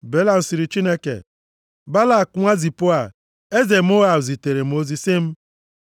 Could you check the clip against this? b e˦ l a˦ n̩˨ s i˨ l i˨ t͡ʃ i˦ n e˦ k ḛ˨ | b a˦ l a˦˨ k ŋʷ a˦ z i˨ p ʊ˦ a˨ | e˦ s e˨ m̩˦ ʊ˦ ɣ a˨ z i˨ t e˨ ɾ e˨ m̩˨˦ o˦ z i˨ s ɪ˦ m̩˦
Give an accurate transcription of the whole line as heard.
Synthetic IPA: b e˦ l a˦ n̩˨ s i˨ ɾ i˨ t͡ʃ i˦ n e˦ k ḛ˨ | b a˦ l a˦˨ k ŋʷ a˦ z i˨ p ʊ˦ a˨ | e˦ z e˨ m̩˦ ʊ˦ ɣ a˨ z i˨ t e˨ ɾ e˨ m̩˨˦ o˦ z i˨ s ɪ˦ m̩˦